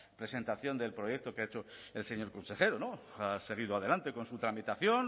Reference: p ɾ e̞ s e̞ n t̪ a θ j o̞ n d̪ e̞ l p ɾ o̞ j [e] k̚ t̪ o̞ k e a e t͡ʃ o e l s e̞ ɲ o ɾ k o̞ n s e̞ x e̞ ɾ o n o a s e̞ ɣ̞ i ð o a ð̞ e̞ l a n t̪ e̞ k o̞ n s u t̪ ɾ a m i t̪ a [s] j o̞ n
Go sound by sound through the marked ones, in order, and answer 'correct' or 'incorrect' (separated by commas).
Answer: correct, incorrect